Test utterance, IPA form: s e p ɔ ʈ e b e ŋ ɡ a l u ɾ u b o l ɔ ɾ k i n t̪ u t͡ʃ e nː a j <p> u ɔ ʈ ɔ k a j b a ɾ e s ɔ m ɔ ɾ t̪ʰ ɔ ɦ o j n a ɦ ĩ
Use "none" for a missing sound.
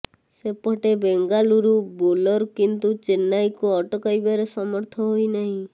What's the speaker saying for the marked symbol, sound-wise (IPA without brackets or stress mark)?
k